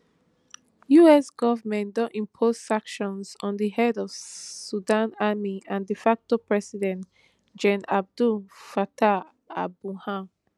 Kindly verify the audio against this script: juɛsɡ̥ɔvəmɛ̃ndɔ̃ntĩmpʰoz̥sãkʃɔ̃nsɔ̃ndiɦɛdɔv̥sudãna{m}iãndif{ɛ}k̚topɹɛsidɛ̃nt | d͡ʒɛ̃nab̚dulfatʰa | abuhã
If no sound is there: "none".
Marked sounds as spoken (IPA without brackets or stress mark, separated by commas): m, a